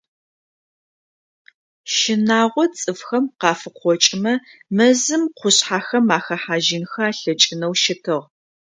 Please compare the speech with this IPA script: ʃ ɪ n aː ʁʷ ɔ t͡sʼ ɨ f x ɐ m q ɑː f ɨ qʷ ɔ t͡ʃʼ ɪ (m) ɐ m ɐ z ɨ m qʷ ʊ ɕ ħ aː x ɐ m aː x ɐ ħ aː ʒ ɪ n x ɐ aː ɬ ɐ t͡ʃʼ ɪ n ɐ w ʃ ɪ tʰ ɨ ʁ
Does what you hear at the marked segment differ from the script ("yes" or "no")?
no